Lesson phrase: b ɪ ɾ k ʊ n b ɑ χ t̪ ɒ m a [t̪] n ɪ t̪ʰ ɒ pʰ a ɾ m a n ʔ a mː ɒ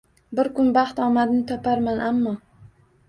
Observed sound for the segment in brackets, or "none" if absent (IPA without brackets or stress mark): d̪